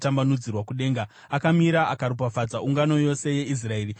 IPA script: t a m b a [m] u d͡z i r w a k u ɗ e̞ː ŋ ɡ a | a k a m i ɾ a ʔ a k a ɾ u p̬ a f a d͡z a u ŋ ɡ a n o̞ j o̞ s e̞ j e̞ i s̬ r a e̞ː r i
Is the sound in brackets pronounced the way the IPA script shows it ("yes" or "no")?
no